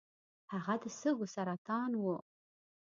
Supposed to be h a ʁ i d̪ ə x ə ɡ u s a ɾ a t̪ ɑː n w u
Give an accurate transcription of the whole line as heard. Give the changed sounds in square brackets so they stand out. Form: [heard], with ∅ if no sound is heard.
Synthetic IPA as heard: h a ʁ [a] d̪ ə [s] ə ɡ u s a ɾ a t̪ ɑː n w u